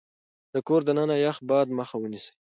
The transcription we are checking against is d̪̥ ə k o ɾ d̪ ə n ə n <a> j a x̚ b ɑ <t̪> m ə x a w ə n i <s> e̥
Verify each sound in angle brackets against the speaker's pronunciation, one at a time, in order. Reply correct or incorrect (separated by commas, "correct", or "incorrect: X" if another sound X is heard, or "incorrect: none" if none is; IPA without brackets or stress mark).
correct, incorrect: d̪, correct